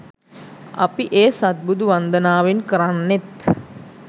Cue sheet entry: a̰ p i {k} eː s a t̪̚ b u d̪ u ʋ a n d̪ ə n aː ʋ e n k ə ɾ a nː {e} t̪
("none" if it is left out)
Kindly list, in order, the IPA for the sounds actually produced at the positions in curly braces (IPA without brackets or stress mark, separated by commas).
ʔ, e